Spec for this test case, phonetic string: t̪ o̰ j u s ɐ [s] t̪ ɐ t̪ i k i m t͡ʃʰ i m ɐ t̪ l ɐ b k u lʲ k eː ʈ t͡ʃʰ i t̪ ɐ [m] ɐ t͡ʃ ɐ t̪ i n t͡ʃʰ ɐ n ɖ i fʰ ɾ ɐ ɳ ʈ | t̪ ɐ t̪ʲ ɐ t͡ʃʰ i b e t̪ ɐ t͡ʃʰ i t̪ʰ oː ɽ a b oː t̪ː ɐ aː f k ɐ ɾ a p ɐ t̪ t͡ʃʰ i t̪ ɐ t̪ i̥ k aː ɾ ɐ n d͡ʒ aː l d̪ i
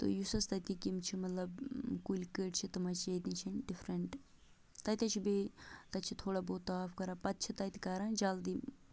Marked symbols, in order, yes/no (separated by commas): yes, yes